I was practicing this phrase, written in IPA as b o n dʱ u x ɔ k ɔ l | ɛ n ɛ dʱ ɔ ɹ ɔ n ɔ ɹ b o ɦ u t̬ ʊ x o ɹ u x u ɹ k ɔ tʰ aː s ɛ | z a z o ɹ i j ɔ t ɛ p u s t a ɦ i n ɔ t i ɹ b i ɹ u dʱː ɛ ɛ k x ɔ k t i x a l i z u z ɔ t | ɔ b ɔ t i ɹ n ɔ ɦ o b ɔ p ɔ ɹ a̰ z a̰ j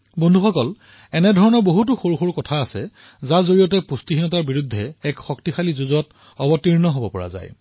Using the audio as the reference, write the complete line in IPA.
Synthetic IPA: b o n dʱ u x ɔ k ɔ l | ɛ n ɛ dʱ ɔ ɹ ɔ n ɔ ɹ b o ɦ u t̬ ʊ x o ɹ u x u ɹ k ɔ tʰ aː s ɛ | z a z o ɹ i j ɔ t ɛ p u s t i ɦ i n ɔ t a ɹ b i ɹ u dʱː ɛ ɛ k x ɔ k t i x a l i z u z ɔ t | ɔ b ɔ t i ɹ n ɔ ɦ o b ɔ p ɔ ɹ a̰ z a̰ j